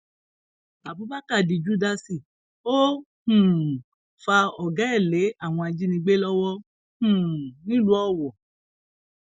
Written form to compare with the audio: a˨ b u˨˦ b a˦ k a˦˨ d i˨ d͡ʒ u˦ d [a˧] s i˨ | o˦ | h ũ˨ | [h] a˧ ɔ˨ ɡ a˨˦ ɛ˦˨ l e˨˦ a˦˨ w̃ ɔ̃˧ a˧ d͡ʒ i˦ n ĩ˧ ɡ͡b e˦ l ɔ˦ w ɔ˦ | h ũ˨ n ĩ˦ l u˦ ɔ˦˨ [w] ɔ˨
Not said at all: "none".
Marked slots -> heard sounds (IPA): a˧, f, w

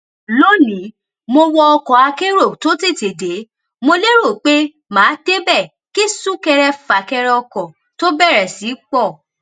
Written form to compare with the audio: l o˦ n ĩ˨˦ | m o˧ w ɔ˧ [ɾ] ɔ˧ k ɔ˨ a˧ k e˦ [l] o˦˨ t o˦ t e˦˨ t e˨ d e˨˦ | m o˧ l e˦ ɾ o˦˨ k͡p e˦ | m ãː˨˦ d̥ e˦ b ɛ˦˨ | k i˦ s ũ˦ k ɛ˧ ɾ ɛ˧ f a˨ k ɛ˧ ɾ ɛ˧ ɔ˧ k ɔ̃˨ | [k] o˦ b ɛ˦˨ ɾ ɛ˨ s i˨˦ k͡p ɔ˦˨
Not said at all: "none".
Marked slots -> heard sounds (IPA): none, ɾ, t

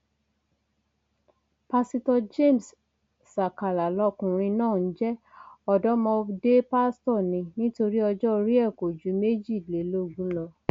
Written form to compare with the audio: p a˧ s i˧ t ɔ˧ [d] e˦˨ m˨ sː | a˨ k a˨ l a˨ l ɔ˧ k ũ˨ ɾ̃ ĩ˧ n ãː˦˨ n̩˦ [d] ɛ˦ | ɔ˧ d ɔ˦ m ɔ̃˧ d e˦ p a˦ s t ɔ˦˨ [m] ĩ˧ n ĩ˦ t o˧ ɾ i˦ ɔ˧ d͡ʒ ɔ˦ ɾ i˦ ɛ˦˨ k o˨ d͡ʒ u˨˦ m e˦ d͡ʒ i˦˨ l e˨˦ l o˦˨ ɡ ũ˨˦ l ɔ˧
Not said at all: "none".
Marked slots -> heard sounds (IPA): d͡ʒ, d͡ʒ, n

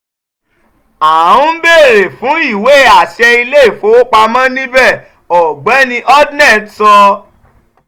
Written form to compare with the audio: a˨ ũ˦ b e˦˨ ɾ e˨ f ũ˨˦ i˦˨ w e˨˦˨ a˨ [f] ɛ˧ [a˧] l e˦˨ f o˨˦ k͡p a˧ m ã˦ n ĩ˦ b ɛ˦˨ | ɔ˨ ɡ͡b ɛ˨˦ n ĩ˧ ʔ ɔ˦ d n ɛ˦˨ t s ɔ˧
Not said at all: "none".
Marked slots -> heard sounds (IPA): ʃ, i˧

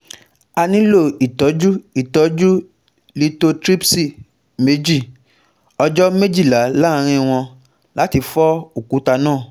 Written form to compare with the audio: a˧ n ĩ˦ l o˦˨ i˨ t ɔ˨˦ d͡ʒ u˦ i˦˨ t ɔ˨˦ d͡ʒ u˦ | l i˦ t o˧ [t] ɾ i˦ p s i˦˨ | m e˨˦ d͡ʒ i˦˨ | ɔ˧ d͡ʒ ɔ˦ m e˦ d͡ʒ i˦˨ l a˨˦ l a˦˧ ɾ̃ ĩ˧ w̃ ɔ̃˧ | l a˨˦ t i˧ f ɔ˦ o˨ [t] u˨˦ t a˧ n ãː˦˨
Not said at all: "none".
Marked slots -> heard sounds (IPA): t, k

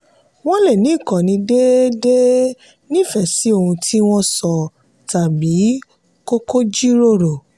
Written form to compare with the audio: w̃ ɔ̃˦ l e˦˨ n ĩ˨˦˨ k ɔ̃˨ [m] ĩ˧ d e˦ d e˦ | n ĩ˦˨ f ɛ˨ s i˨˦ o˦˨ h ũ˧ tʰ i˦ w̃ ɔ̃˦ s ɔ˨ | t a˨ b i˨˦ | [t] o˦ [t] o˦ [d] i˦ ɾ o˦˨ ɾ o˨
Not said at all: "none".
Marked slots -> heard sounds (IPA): n, k, k, d͡ʒ

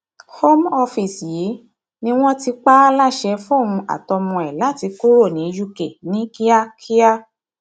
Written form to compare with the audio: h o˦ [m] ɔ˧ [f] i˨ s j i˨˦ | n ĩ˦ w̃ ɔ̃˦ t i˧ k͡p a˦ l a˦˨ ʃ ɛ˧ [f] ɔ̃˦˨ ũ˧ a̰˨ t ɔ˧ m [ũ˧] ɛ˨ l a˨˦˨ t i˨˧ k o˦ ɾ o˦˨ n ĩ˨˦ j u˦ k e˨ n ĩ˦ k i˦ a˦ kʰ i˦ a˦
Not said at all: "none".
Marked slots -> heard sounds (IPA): m, f, f, ɔ̃˧

